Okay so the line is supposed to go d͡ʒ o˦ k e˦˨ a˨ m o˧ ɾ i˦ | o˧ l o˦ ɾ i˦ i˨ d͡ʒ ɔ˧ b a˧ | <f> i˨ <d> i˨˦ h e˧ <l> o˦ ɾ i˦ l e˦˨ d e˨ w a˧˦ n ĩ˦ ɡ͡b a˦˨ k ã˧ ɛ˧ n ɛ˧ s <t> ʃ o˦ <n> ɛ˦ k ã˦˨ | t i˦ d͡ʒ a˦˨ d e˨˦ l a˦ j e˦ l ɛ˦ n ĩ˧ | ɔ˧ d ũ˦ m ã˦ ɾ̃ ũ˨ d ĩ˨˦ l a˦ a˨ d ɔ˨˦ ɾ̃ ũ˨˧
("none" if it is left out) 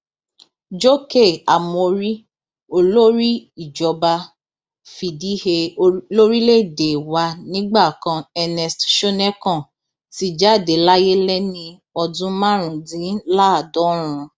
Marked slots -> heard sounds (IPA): f, d, l, t, n

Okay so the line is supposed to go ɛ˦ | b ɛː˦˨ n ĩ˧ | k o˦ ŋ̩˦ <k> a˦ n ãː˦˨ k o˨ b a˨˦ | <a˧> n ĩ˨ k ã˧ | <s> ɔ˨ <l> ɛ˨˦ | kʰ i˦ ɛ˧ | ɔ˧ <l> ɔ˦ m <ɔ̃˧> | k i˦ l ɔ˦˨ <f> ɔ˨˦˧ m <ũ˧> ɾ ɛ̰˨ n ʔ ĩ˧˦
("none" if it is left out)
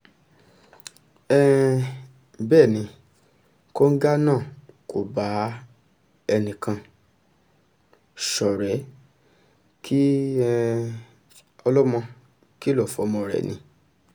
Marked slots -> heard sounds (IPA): ɡ, ɛ˧, ʃ, ɾ, l, ɔ̃˧, f, ɔ̃˧

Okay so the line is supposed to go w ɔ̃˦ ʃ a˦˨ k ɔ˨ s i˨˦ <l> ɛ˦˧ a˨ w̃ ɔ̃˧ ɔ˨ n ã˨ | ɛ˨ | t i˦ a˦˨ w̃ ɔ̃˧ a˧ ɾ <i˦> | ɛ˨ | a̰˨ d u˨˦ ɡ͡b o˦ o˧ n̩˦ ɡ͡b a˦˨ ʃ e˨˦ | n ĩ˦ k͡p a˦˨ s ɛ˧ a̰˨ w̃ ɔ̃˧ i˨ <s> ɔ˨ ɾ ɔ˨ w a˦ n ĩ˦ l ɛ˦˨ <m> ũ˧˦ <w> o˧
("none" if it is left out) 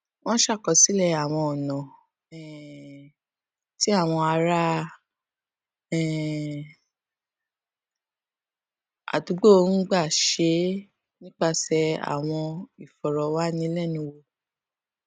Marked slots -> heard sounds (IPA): l, a˦, f, n, w

